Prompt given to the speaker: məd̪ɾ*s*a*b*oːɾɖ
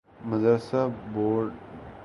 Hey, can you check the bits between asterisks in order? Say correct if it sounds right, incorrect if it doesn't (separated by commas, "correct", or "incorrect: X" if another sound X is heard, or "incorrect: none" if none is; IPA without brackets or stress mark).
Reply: correct, correct